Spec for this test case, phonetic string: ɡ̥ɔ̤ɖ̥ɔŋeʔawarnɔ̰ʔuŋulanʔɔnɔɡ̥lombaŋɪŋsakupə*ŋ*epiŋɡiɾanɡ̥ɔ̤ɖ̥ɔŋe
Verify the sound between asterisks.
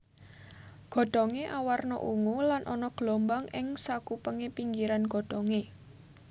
correct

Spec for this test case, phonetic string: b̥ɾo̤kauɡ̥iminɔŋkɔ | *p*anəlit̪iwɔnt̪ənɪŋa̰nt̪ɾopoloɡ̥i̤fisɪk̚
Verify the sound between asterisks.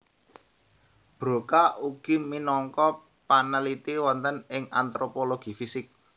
correct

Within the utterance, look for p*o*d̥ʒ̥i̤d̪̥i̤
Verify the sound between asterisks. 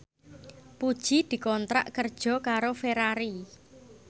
incorrect: u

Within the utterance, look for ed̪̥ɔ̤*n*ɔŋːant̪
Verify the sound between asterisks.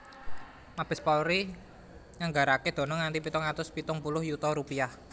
correct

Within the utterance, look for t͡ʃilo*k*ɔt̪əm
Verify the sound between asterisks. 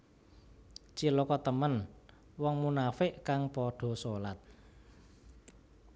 correct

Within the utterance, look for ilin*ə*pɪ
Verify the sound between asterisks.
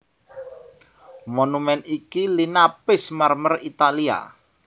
incorrect: a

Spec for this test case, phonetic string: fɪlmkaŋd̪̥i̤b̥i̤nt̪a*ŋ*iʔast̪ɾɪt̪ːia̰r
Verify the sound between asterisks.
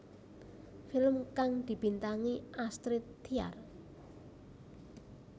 correct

